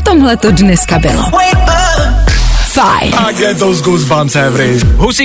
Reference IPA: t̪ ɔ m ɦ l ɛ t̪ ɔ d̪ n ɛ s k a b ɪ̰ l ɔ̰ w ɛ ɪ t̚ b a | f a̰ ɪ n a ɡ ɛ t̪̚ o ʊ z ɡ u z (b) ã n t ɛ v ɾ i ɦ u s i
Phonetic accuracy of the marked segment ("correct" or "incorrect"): correct